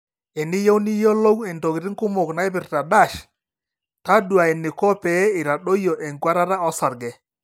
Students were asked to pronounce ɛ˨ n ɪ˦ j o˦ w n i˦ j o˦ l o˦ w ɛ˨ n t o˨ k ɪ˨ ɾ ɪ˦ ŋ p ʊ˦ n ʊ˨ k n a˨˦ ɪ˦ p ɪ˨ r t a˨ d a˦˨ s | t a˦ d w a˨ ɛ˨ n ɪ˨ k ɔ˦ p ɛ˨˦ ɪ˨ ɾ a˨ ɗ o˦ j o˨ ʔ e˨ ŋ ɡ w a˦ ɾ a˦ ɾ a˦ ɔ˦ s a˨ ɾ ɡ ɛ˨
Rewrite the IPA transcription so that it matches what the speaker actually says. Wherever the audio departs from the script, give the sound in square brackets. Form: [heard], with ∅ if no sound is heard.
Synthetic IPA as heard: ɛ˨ n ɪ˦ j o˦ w n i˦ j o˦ l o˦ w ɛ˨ n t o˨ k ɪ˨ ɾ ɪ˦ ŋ [k] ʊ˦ [m] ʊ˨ k n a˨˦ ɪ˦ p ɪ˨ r t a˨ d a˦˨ [ʃ] | t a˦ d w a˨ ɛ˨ n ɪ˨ k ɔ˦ p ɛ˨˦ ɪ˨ ɾ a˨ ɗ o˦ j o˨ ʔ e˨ ŋ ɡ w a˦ ɾ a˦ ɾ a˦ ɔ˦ s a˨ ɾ ɡ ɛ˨